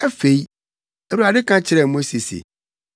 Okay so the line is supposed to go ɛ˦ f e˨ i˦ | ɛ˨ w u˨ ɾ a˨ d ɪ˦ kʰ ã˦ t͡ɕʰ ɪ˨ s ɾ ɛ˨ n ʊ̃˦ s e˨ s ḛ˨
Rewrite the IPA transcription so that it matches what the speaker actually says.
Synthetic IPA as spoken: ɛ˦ f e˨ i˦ | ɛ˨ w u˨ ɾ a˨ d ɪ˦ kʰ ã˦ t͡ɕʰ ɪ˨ ɾ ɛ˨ m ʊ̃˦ s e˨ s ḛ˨